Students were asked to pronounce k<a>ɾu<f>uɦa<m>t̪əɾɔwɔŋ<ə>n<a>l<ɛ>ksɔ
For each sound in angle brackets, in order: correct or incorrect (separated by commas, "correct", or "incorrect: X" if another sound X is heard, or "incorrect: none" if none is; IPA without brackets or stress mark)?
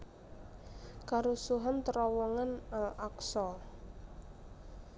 correct, incorrect: s, incorrect: n, incorrect: a, correct, incorrect: a